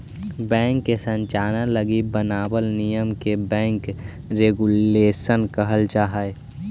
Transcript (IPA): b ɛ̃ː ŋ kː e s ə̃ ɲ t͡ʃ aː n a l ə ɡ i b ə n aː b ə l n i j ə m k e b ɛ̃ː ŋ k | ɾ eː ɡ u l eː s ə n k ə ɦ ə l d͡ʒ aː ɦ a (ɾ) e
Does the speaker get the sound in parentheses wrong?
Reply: yes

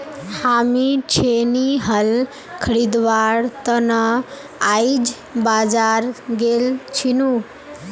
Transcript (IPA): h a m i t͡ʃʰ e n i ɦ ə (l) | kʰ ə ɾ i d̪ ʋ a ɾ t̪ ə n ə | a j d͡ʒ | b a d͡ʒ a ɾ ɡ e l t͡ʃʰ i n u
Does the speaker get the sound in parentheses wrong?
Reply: no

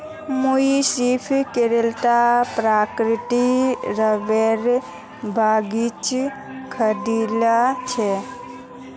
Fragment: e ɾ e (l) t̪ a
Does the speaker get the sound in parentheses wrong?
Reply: no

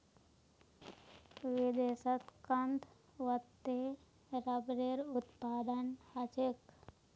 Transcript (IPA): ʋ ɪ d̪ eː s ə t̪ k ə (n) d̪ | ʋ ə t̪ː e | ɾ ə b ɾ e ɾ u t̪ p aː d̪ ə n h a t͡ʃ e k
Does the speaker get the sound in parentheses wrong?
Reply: no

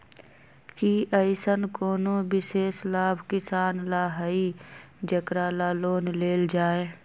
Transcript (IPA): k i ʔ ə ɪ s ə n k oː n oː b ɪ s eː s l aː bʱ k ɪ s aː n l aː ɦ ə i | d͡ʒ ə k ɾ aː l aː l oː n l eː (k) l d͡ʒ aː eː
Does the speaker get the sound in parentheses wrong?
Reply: yes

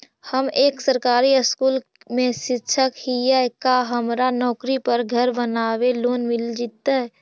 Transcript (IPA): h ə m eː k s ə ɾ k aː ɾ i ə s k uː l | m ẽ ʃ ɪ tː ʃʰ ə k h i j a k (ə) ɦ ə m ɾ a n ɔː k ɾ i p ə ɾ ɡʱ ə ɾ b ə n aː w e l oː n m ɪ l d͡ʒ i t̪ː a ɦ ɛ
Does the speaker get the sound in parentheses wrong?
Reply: yes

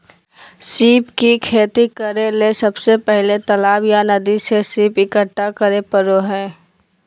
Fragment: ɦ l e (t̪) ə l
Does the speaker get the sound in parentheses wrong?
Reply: no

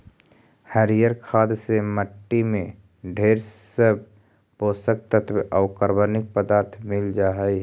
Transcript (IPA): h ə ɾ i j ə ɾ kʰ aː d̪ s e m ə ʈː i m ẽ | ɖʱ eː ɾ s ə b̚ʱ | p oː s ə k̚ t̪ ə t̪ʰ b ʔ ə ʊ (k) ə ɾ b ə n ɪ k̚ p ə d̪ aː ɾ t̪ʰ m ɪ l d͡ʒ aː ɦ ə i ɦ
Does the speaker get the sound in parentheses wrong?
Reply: no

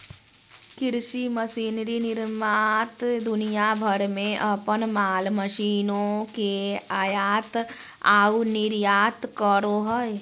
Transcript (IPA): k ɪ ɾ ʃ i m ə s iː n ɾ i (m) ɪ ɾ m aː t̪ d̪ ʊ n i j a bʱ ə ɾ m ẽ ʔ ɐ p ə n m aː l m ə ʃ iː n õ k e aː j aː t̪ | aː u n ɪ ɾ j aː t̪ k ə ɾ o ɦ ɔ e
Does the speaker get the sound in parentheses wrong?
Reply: yes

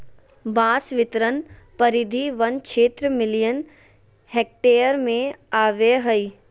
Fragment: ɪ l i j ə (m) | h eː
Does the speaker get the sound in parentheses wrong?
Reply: yes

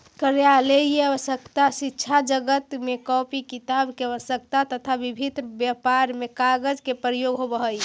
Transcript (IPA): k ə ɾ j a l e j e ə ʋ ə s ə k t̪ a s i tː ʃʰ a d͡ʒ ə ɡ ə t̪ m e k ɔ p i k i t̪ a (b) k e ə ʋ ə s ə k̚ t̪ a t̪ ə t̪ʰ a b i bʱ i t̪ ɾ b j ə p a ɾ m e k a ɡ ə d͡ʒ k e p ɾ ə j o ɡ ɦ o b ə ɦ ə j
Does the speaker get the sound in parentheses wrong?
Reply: no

